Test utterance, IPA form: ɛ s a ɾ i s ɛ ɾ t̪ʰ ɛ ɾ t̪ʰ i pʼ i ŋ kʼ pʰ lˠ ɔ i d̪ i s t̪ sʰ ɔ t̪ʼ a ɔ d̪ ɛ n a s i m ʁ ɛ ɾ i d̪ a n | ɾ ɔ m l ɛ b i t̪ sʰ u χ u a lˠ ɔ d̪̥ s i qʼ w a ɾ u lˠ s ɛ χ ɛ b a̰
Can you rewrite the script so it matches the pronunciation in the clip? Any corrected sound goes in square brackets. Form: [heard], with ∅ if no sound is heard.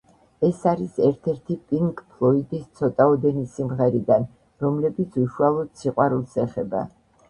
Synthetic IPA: ɛ s a ɾ i s ɛ ɾ t̪ʰ ɛ ɾ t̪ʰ i pʼ i ŋ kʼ pʰ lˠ ɔ i d̪ i s t̪ sʰ ɔ t̪ʼ a ɔ d̪ ɛ n [i] s i m ʁ ɛ ɾ i d̪ a n | ɾ ɔ m l ɛ b i t̪ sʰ u [ʃ] u a lˠ ɔ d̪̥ s i qʼ w a ɾ u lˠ s ɛ χ ɛ b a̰